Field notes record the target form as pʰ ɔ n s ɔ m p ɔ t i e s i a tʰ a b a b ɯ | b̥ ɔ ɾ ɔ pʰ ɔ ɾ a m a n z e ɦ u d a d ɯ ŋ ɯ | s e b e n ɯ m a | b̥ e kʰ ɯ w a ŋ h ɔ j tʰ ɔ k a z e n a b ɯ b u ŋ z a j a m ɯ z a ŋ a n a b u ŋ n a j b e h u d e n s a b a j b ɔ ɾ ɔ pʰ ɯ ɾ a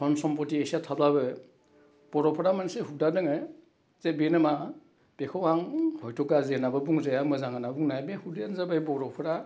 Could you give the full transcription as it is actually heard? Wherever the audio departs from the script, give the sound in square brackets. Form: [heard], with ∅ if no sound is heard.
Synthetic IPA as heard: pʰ ɔ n s ɔ m p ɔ t i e s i a tʰ a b a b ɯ | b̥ ɔ ɾ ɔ pʰ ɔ ɾ a m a n [s] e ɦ u d a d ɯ ŋ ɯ | [z] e b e n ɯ m a | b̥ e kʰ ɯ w a ŋ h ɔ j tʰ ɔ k a z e n a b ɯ b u ŋ z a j a m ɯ z a ŋ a n a b u ŋ n a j b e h u d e n [z] a b a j b ɔ ɾ ɔ pʰ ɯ ɾ a